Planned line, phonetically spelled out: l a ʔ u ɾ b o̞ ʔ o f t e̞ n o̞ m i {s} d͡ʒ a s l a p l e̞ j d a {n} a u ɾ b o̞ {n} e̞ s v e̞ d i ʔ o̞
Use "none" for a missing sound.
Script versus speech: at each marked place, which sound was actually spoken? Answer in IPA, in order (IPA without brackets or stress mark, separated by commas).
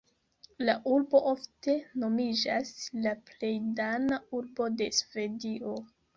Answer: none, n, d